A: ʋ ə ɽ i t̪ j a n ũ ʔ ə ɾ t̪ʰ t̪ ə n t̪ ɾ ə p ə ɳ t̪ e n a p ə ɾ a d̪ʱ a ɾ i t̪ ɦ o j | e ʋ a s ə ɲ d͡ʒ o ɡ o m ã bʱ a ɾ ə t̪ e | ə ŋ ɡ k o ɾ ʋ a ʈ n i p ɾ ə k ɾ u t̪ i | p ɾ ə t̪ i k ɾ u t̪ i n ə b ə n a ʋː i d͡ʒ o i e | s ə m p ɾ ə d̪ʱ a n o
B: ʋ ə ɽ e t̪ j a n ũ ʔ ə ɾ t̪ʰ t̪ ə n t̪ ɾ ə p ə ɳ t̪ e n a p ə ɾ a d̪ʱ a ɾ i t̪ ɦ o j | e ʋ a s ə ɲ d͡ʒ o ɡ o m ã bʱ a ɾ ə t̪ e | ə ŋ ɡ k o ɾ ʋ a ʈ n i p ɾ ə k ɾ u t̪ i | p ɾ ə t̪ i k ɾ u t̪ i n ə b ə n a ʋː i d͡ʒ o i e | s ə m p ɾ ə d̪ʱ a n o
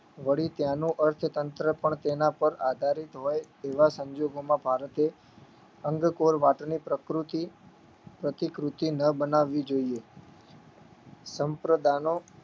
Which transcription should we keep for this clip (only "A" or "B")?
A